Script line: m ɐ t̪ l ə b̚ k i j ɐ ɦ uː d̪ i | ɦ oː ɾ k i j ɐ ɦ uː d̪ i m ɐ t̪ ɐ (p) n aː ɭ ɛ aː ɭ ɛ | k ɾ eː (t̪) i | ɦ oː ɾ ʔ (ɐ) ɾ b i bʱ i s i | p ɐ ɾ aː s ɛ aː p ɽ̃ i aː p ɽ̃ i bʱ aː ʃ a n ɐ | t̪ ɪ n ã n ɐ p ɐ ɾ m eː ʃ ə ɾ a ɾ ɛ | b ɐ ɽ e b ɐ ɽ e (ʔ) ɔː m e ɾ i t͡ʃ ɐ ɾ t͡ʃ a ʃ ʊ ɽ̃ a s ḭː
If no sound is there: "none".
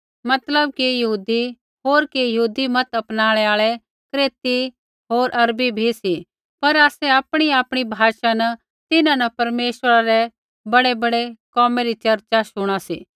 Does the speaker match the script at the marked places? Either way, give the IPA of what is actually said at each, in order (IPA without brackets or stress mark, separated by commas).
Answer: p, t̪, ɐ, k